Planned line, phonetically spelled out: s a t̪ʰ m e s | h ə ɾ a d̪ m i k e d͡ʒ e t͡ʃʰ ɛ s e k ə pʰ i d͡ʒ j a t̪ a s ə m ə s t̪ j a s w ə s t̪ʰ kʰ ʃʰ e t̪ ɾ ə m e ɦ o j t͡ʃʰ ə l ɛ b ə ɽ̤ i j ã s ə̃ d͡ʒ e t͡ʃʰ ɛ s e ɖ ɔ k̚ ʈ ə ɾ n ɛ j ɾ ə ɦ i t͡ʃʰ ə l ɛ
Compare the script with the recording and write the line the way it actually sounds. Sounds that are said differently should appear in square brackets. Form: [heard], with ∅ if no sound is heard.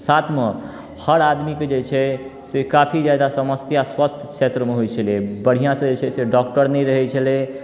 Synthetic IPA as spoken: s a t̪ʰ m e [∅] | h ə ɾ a d̪ m i k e d͡ʒ e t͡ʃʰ ɛ s e k [a] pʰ i d͡ʒ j a [d̪] a s ə m ə s t̪ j a s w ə s t̪ʰ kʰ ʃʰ e t̪ ɾ ə m e ɦ o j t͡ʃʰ ə l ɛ b ə ɽ̤ i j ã s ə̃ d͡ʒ e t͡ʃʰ ɛ s e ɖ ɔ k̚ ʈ ə ɾ n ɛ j ɾ ə ɦ [ɛ] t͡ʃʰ ə l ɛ